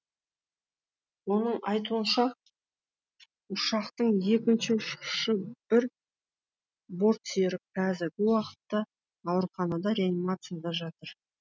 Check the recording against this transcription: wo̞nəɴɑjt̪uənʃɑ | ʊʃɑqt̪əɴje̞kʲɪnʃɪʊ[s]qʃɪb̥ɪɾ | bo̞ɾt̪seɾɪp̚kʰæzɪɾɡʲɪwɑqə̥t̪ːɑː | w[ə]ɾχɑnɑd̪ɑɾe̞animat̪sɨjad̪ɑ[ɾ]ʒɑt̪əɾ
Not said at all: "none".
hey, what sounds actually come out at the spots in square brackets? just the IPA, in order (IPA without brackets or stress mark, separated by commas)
ʃ, ə, none